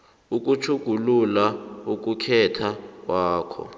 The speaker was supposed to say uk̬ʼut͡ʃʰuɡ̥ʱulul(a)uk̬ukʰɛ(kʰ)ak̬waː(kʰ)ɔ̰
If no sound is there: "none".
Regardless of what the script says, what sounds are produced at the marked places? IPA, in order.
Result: a, tʰ, kʰ

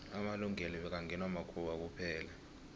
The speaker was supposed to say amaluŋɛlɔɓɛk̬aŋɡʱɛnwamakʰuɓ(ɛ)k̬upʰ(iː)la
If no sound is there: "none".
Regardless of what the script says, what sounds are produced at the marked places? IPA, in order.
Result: a, ɛː

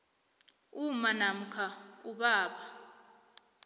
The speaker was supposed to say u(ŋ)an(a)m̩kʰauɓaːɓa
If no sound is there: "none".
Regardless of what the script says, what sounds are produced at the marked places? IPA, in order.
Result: m, a

